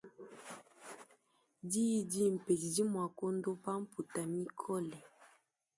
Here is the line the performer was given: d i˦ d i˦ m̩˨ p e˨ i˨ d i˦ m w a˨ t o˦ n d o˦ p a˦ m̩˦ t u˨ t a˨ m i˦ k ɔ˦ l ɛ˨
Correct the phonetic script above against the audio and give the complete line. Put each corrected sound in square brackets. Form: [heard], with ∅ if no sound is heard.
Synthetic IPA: d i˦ d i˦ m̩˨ p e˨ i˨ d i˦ m w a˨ [k] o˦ n d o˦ p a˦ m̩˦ [p] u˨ t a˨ m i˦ [kʰ] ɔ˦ l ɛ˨